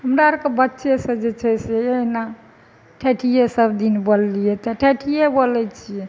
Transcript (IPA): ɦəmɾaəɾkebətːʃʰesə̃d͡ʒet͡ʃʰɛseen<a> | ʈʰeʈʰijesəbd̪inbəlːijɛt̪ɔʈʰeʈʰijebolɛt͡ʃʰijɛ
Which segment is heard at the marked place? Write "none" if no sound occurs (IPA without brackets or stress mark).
a